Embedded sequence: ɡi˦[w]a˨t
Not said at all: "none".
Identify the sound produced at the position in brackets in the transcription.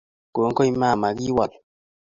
w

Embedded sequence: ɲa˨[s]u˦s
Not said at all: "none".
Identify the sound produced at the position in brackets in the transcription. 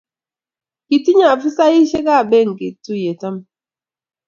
f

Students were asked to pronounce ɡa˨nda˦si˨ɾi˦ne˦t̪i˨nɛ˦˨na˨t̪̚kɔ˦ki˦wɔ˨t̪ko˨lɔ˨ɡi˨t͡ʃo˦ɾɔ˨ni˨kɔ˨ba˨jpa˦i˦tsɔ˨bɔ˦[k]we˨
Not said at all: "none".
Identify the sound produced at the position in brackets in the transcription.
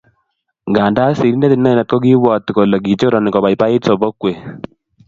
k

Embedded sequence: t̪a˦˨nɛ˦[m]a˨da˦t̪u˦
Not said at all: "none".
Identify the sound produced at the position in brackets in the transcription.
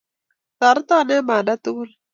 m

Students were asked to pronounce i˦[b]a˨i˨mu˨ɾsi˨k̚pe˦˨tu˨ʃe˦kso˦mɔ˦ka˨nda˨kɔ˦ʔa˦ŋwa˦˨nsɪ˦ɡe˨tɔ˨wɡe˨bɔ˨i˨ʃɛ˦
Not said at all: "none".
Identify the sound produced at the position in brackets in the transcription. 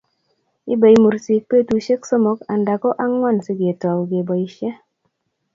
b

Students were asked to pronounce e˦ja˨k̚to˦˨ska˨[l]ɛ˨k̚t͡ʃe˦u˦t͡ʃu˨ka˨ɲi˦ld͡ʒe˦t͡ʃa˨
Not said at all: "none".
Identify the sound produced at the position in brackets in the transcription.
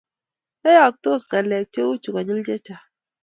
l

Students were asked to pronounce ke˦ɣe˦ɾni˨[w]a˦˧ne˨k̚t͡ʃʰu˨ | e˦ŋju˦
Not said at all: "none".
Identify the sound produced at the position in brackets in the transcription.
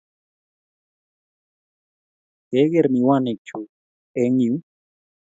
w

